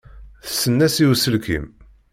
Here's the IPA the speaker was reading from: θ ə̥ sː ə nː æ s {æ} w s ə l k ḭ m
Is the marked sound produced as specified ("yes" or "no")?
no